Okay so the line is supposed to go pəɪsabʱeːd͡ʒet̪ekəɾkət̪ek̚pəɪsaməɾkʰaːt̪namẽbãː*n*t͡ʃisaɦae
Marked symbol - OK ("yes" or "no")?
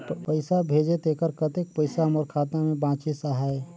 no